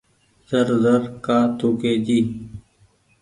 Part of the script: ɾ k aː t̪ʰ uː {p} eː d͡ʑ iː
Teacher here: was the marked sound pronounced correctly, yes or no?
no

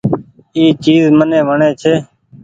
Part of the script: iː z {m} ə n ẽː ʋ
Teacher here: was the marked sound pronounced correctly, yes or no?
yes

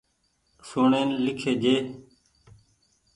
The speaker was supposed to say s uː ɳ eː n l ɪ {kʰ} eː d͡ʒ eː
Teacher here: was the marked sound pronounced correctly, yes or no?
yes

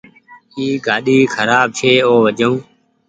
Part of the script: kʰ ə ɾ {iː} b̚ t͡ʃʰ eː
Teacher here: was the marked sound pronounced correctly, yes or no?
no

